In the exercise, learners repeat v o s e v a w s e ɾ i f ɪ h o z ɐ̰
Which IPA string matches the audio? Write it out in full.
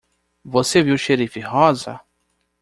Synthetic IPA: v o s e v i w ʃ e ɾ i f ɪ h ɔ z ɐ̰